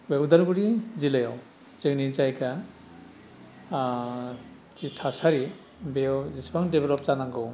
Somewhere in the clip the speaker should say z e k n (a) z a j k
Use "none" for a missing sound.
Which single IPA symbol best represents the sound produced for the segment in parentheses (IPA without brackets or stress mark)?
i